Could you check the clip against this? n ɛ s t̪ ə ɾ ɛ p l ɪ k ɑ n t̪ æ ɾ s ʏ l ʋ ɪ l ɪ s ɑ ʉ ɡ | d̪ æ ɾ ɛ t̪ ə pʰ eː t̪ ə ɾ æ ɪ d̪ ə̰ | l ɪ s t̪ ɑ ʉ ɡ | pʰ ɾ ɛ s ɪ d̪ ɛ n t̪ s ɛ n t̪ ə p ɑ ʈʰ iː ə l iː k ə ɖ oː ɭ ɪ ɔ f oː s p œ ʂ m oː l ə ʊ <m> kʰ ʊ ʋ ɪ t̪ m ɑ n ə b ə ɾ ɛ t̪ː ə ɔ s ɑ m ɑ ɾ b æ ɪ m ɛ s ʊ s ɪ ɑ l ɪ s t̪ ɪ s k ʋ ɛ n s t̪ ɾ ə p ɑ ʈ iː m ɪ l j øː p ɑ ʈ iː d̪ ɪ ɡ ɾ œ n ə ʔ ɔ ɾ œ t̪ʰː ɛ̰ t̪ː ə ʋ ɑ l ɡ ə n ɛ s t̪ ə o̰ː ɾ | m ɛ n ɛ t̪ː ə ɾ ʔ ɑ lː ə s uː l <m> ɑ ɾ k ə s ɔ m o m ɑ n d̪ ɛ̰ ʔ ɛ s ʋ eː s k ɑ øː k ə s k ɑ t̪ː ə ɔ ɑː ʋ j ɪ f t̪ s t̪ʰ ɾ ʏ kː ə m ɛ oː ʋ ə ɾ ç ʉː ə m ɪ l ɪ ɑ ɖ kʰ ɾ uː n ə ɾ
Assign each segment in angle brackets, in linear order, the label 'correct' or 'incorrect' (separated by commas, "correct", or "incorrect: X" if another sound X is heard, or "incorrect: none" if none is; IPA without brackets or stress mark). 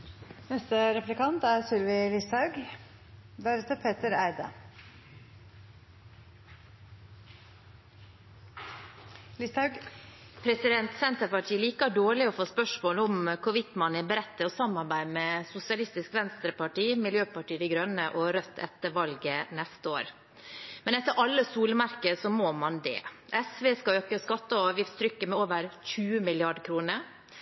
correct, correct